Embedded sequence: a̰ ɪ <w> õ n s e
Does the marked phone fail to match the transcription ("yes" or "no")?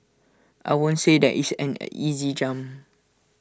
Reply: no